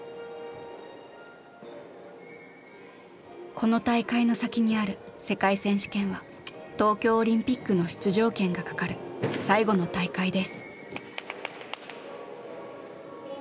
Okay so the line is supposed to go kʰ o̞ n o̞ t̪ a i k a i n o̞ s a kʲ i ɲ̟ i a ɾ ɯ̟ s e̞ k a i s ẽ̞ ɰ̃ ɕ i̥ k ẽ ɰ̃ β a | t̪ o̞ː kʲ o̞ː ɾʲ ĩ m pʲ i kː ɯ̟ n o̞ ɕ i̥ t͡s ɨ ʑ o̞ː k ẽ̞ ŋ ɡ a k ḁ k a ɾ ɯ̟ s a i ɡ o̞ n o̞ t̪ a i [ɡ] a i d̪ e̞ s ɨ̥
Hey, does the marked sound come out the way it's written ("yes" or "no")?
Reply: no